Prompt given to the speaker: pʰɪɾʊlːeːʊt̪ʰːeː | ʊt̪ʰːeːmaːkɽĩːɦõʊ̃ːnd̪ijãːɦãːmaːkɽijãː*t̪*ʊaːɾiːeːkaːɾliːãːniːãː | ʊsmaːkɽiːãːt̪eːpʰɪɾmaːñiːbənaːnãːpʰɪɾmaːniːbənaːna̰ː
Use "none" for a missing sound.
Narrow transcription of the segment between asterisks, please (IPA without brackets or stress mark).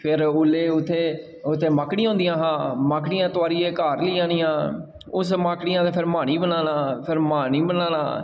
t̪